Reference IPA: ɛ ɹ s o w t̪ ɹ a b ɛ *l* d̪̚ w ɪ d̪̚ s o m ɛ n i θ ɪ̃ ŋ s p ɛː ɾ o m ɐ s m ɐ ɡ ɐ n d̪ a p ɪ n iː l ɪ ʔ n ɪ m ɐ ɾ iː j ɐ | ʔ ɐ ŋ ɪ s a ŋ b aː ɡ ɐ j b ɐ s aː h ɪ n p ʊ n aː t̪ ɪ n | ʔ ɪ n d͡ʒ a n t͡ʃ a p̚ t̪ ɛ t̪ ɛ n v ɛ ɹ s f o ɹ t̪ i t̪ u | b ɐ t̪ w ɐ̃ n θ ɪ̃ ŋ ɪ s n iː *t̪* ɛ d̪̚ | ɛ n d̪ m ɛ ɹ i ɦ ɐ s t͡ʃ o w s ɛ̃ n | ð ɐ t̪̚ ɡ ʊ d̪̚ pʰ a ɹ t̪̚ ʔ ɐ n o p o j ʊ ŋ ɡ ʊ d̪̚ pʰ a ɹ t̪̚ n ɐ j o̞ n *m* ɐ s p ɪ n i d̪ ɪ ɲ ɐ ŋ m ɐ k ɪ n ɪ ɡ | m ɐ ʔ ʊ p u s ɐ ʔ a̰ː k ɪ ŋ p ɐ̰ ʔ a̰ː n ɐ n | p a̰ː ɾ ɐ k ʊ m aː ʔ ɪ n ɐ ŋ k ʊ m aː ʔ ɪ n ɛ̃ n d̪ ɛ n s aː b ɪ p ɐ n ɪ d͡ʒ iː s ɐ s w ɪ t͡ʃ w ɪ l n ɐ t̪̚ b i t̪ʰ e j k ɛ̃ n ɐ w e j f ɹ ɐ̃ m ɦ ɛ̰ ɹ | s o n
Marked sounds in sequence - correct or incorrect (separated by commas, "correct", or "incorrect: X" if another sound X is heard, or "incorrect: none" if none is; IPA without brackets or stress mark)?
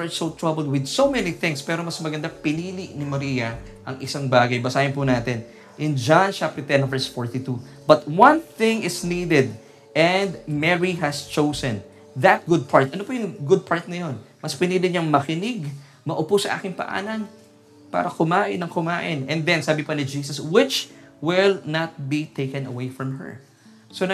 correct, incorrect: d̪, correct